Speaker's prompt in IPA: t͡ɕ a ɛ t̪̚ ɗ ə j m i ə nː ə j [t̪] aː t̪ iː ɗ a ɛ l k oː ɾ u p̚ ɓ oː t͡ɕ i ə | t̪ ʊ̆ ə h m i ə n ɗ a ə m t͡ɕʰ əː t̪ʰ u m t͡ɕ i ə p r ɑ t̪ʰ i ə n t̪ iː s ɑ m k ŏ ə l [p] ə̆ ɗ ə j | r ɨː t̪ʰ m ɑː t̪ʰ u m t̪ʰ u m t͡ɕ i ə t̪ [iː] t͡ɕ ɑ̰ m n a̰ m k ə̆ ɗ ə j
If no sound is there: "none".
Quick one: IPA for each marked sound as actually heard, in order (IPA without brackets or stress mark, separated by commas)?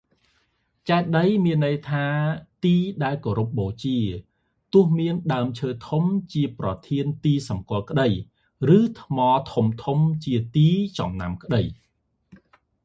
t̪ʰ, k, iː